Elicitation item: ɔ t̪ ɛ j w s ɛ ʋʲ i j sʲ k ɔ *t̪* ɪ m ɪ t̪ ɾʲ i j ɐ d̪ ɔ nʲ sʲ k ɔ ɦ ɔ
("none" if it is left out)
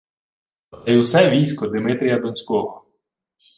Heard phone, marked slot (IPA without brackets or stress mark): d̪